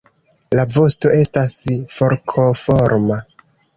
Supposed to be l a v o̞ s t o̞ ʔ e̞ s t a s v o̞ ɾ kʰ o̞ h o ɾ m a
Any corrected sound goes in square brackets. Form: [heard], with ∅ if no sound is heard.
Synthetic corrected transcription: l a v o̞ s t o̞ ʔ e̞ s t a s [f] o̞ ɾ kʰ o̞ [f] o ɾ m a